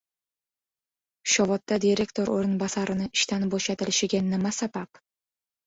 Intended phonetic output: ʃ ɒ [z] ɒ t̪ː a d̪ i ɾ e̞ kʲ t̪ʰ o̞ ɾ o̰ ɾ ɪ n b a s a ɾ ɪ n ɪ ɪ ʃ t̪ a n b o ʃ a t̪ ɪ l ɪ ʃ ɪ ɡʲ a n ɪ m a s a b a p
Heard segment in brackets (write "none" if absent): v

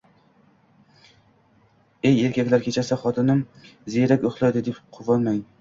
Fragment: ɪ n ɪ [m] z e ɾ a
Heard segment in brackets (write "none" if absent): m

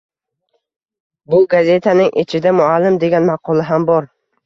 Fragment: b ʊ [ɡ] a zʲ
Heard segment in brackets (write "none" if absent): ɡ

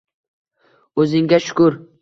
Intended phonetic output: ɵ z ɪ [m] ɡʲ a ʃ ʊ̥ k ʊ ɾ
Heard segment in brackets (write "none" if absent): ŋ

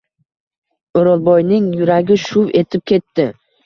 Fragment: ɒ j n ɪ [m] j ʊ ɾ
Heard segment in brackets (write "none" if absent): ŋ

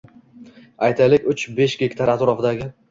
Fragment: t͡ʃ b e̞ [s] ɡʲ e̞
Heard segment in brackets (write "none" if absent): ʃ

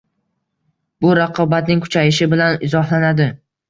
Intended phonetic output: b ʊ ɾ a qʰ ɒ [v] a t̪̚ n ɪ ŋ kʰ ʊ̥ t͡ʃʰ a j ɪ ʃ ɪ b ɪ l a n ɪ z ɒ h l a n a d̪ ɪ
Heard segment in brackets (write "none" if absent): b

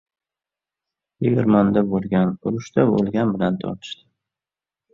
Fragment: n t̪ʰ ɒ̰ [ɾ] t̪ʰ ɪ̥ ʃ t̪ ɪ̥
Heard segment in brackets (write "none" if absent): ɾ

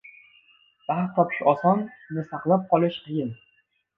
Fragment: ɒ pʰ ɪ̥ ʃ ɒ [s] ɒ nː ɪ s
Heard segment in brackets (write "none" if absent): s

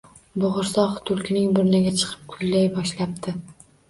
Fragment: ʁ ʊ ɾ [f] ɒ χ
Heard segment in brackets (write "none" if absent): s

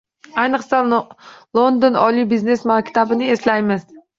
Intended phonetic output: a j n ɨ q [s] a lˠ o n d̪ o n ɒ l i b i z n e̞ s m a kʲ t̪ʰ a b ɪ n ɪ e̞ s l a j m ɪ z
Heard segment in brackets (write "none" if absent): s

